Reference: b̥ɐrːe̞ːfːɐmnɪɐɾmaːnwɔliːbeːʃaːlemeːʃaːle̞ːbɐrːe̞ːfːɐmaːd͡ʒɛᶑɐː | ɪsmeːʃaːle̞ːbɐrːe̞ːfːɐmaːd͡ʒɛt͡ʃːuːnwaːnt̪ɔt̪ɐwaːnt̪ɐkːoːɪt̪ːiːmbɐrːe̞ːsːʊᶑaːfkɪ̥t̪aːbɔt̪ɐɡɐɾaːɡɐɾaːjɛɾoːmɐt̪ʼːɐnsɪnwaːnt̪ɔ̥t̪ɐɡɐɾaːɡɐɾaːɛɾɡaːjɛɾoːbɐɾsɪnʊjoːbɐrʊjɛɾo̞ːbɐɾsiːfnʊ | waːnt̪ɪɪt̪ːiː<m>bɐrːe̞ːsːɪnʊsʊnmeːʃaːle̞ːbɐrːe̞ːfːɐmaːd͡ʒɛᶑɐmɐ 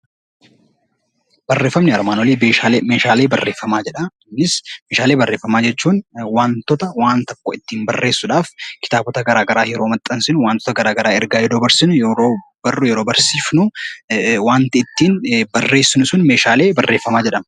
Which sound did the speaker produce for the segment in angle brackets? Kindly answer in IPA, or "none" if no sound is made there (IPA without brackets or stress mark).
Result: n